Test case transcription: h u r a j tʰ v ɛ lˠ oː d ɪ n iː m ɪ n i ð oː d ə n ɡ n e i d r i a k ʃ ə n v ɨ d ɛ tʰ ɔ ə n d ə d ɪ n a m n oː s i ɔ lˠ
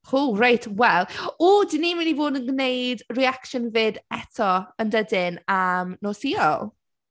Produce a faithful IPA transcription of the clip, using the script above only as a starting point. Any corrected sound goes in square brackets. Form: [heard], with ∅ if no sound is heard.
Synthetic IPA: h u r a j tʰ [w] ɛ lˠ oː d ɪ n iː m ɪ n i [v] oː d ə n ɡ n e [j] d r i a k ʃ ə n v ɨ d ɛ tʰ ɔ ə n d ə d ɪ n a m n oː s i ɔ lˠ